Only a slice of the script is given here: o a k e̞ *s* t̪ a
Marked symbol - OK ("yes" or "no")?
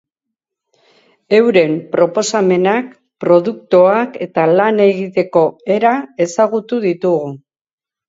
no